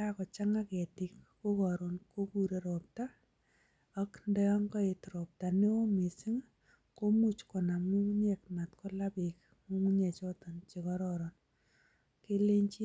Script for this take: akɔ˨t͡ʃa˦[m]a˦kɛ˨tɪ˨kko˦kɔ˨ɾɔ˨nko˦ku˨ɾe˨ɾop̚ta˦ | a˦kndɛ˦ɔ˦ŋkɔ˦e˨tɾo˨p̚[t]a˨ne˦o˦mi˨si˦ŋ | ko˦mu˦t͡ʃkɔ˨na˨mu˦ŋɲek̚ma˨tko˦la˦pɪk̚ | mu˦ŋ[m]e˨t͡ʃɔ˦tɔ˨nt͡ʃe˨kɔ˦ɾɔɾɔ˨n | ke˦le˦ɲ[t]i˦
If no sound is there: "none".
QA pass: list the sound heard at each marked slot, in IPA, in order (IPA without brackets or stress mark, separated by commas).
ŋ, t, ɲ, t͡ʃ